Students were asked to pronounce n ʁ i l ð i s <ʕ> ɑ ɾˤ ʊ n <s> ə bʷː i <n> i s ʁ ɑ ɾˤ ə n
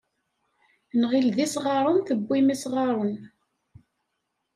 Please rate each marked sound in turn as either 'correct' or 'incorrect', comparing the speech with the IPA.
incorrect: ʁ, incorrect: θ, incorrect: m

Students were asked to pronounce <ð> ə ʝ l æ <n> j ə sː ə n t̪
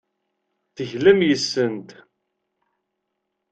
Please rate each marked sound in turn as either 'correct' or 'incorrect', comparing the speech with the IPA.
incorrect: θ, incorrect: m

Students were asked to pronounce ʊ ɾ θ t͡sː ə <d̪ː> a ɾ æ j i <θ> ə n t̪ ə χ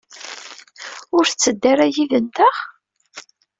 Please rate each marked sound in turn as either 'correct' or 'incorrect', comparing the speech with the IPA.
correct, incorrect: ð

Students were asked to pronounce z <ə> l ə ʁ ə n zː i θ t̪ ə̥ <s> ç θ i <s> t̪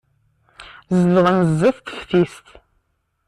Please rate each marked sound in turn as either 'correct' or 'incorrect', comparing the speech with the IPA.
correct, incorrect: none, correct

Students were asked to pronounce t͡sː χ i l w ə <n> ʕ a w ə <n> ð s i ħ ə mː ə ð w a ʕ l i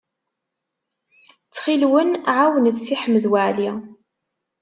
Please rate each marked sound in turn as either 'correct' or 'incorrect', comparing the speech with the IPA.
correct, correct

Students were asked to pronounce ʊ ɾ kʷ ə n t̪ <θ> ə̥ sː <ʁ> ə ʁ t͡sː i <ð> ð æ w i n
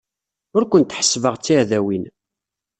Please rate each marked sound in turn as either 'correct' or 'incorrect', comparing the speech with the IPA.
incorrect: ħ, incorrect: v, incorrect: ʕ

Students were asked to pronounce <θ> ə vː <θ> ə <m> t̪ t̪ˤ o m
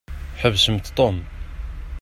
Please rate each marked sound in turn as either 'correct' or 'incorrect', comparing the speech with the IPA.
incorrect: ħ, incorrect: s, correct

